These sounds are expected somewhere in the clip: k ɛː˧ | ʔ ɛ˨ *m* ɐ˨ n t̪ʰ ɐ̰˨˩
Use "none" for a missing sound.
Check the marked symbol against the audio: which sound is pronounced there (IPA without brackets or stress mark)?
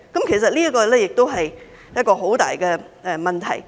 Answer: m